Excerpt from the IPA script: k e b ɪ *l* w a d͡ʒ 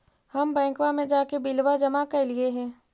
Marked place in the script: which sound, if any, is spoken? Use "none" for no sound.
l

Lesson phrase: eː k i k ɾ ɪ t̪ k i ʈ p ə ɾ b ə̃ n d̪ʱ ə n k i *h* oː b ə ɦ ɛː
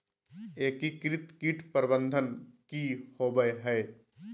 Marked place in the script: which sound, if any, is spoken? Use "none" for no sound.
h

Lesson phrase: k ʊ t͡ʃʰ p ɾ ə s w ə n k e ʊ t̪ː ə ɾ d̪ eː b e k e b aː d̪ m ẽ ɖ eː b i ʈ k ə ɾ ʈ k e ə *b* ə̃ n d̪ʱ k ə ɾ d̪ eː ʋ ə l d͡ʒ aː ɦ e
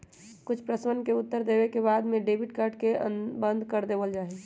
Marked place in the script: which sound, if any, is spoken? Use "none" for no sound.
b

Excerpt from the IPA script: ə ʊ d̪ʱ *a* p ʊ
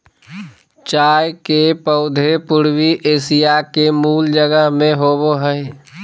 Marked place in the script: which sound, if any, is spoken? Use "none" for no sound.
e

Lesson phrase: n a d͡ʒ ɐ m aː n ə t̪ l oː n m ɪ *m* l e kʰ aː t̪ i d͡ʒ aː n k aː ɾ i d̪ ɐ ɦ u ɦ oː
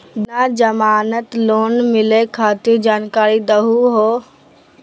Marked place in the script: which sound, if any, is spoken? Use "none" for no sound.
none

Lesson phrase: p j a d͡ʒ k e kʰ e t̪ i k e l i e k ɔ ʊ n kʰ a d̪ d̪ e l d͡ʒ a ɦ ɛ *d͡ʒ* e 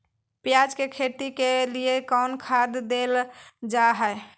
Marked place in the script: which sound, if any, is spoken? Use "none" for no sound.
none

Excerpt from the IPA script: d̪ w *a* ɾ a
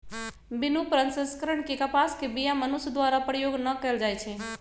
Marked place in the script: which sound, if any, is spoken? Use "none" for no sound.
a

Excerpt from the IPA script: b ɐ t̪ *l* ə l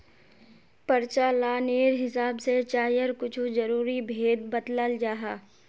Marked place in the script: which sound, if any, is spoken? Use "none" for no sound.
l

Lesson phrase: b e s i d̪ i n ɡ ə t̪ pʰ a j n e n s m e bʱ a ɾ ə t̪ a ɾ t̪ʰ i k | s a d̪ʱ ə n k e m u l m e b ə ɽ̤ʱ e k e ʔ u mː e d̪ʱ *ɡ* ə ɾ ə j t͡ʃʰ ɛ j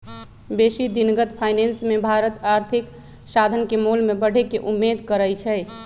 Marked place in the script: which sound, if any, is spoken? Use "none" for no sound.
k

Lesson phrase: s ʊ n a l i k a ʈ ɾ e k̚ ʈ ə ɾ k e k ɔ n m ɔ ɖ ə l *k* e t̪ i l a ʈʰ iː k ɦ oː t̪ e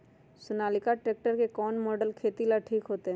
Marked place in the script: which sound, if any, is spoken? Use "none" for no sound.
kʰ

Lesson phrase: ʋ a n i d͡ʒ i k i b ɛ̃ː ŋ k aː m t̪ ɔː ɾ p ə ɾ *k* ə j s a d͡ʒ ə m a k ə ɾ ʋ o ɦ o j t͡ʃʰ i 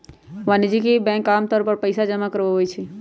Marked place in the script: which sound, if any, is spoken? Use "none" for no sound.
p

